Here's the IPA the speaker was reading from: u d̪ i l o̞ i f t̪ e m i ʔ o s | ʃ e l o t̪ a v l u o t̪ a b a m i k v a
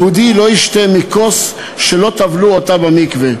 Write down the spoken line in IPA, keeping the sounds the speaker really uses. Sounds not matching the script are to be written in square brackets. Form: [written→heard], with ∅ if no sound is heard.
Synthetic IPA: u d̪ i l o̞ i [f→ʃ] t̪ e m i [ʔ→k] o s | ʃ e l o t̪ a v l u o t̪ a b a m i k v [a→e]